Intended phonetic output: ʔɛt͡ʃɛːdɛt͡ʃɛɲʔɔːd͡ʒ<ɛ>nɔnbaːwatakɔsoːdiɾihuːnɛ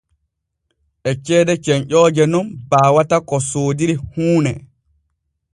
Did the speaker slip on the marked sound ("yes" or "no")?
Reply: no